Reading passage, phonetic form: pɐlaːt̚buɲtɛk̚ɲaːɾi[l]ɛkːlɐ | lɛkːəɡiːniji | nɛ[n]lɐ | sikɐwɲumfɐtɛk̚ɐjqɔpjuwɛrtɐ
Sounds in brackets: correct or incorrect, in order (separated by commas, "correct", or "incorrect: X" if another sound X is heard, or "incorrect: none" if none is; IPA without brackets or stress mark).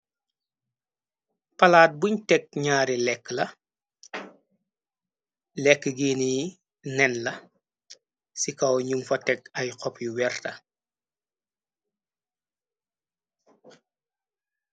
correct, correct